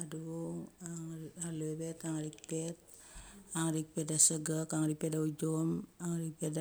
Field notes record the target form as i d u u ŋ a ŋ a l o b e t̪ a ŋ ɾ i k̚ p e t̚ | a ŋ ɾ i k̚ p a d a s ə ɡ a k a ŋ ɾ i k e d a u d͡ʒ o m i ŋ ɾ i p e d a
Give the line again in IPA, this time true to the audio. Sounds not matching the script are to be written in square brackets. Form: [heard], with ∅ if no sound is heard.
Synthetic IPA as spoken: [a] d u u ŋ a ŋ a l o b e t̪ a ŋ ɾ i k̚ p e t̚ | a ŋ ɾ i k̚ p [e] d a s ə ɡ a k a ŋ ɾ i [p] e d a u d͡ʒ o m [a] ŋ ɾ i p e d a